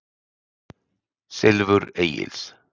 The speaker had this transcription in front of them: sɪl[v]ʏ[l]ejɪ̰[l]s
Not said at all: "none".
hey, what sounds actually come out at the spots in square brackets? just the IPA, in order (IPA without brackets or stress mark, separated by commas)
v, ɾ, l